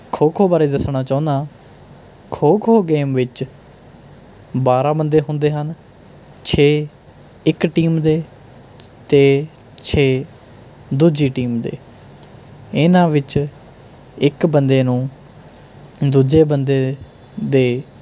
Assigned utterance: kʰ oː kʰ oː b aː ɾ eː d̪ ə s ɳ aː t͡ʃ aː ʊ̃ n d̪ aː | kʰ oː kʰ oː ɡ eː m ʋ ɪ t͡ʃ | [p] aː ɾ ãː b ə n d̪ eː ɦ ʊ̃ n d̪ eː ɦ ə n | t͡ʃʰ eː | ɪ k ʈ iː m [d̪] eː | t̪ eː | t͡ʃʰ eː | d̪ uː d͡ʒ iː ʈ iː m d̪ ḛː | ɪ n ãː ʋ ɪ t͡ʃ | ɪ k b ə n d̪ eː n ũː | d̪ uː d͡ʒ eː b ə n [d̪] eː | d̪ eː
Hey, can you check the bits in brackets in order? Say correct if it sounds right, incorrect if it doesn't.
incorrect: b, correct, correct

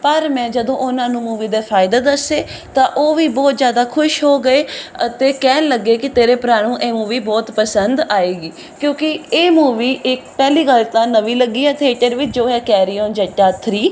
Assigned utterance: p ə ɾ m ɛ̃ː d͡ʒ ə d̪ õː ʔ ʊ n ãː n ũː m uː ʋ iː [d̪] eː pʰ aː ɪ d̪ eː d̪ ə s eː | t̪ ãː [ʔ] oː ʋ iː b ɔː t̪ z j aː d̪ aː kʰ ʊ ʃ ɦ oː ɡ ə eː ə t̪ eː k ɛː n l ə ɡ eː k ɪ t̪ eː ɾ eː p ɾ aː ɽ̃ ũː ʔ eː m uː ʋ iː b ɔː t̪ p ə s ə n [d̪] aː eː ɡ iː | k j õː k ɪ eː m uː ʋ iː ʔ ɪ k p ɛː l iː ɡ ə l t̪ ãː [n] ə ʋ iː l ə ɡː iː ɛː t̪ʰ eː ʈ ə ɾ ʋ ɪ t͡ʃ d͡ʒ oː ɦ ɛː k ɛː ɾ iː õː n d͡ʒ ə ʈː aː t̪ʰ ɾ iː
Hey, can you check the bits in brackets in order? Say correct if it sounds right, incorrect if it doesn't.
correct, correct, correct, correct

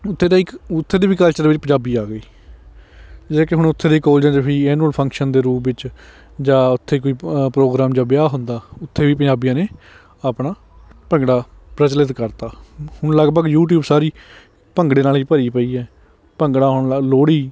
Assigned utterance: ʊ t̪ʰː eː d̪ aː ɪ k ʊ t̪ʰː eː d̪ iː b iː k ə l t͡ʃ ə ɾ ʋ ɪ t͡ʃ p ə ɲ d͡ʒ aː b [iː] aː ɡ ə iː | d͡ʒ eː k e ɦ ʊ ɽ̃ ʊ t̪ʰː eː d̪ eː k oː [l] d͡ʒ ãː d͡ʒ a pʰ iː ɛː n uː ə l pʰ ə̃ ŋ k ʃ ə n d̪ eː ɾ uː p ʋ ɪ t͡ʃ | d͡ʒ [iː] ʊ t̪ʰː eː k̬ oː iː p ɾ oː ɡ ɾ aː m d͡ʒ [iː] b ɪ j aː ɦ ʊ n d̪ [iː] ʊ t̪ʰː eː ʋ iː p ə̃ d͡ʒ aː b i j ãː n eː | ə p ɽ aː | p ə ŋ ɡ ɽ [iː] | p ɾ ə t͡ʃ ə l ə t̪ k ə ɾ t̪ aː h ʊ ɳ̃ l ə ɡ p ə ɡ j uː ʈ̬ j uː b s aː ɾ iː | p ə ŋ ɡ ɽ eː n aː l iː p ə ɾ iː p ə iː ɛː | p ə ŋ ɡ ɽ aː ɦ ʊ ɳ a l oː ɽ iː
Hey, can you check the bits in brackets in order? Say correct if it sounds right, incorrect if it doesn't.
correct, correct, incorrect: aː, incorrect: aː, incorrect: aː, incorrect: aː

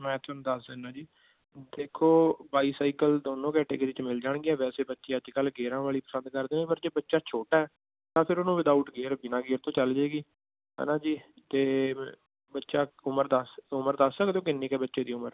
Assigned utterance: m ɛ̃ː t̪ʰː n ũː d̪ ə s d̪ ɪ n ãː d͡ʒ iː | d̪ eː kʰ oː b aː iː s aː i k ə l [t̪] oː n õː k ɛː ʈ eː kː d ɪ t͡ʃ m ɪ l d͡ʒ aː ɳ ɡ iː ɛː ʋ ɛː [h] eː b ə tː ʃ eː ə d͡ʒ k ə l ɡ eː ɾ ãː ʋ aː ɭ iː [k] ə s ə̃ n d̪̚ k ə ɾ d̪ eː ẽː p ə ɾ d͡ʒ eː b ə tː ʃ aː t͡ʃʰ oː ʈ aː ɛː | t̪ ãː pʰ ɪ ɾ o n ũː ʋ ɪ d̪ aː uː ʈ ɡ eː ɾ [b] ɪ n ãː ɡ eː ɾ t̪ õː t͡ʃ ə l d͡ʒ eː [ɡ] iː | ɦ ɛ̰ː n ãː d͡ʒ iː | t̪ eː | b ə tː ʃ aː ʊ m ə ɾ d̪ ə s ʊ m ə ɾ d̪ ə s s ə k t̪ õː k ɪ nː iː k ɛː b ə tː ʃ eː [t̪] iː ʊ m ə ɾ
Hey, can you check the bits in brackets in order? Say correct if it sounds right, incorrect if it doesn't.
incorrect: d̪, incorrect: s, incorrect: p, correct, correct, incorrect: d̪

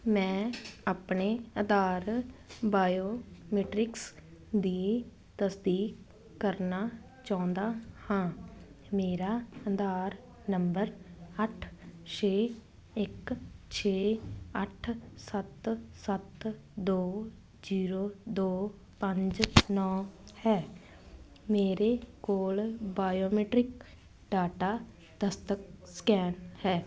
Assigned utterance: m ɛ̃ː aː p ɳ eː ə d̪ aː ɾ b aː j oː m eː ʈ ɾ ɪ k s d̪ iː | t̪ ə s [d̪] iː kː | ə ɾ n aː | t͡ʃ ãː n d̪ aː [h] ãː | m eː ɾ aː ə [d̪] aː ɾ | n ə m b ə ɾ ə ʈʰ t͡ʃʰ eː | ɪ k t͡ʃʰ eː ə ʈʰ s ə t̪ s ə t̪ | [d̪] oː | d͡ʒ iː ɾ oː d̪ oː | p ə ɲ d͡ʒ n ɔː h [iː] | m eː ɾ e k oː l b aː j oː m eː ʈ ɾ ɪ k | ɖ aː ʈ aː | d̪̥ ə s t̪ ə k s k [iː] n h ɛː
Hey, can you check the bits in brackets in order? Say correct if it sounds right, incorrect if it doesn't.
correct, correct, correct, correct, incorrect: ɛː, incorrect: ɛː

